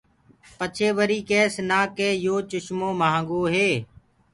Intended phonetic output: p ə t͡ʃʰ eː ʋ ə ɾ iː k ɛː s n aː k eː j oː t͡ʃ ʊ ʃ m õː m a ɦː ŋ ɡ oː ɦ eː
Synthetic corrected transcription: p ə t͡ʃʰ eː ʋ ə ɾ iː k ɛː s n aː k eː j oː t͡ʃ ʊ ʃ m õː m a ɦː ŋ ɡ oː ɦ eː